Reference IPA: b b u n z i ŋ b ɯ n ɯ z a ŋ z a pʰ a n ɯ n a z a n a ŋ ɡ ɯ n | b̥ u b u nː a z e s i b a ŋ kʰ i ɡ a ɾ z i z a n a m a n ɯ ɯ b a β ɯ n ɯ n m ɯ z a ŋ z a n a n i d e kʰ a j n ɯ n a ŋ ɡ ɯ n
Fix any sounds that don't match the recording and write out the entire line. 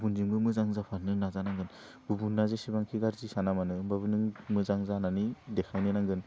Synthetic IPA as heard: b b u n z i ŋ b ɯ m ɯ z a ŋ z a pʰ a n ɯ n a z a n a ŋ ɡ ɯ n | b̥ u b u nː a z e s i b a ŋ kʰ i ɡ a ɾ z i s a n a m a n ɯ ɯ b a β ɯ n ɯ ŋ m ɯ z a ŋ z a n a n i d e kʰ a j n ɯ n a ŋ ɡ ɯ n